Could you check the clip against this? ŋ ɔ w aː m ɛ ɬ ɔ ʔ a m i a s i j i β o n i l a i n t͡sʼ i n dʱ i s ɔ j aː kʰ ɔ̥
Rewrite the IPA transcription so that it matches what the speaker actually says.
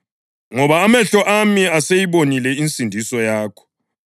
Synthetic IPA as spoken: ŋ ɔ β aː m ɛ ɬ ɔ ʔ a m i a s e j i β o n i l ɛ i n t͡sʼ i n dʱ i s ɔ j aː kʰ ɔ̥